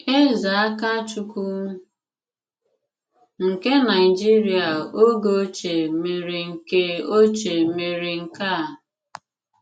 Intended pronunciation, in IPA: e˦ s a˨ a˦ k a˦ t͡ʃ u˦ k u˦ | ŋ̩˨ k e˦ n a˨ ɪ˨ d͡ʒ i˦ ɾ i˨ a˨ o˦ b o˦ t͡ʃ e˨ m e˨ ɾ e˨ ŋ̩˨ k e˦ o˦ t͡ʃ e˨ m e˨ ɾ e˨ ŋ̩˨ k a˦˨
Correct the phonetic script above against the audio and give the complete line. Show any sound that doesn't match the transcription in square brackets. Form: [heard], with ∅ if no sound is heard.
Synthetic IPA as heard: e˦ [z] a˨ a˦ k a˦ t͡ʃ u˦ k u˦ | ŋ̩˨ k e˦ n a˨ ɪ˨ d͡ʒ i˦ ɾ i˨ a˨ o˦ [ɡ] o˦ t͡ʃ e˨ m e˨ ɾ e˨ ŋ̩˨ k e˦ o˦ t͡ʃ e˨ m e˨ ɾ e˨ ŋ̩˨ k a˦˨